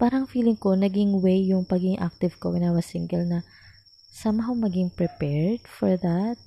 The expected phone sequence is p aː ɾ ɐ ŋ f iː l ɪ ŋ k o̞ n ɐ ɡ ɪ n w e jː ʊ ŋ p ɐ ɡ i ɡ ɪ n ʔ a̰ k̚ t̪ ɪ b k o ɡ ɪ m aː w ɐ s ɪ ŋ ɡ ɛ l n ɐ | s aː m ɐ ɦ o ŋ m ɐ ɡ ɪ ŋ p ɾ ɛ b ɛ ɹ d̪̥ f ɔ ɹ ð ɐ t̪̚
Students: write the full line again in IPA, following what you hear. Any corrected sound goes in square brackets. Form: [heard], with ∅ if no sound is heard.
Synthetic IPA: p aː ɾ ɐ ŋ f iː l ɪ ŋ k o̞ n ɐ ɡ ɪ [ŋ] w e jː ʊ ŋ p ɐ ɡ i ɡ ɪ [ŋ] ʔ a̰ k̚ t̪ ɪ [v] k o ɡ ɪ [n] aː w ɐ s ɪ ŋ ɡ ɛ l n ɐ | s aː m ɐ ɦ o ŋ m ɐ ɡ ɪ ŋ p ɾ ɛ [p] ɛ ɹ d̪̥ f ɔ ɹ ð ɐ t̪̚